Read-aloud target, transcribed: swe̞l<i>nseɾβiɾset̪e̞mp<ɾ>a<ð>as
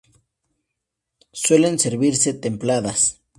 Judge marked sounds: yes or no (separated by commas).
no, no, yes